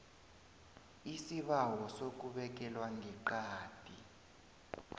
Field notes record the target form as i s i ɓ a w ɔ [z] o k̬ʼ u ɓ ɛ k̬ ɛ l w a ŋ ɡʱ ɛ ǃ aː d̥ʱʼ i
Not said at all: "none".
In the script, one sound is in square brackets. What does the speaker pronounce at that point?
s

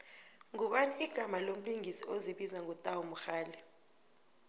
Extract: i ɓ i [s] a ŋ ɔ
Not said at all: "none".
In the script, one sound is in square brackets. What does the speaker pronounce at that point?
z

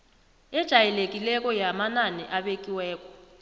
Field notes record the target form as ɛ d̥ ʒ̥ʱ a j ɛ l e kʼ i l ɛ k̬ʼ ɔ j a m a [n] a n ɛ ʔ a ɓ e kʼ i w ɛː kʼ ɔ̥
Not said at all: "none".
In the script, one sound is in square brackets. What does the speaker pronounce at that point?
n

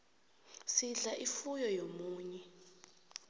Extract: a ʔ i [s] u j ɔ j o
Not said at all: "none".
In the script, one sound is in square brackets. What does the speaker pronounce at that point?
f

